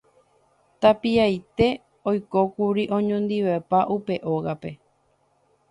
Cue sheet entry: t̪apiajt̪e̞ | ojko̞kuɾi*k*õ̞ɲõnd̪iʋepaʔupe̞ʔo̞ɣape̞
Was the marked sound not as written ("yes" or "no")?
yes